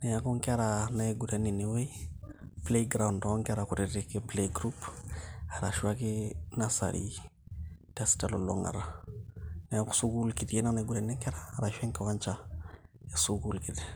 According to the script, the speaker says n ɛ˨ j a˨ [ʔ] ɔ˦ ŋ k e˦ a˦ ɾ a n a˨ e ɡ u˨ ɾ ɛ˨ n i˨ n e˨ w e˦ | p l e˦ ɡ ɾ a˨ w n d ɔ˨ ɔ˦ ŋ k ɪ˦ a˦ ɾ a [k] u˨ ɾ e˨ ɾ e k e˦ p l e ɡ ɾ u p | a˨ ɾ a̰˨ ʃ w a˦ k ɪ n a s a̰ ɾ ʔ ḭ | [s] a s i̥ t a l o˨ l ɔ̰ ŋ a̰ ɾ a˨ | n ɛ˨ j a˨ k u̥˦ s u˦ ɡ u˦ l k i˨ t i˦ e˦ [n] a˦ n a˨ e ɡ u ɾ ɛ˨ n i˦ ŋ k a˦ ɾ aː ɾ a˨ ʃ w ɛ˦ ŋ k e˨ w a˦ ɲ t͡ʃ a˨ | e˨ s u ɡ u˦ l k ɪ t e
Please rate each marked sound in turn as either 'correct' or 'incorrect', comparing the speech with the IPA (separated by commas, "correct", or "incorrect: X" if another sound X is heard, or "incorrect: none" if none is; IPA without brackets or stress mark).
incorrect: k, correct, incorrect: t, correct